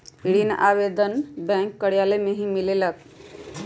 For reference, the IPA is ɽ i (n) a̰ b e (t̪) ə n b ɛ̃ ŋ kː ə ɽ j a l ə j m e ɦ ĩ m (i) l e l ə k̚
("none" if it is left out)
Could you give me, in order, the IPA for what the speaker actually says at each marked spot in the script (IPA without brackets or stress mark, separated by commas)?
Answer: n, d̪, i